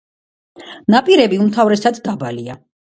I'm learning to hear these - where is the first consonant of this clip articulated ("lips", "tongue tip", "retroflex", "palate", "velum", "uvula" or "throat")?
tongue tip